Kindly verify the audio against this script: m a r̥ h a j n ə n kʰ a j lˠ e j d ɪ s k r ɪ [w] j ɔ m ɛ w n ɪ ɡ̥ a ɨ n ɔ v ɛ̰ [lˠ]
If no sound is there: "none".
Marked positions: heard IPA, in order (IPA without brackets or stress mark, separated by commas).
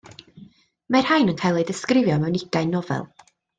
v, lˠ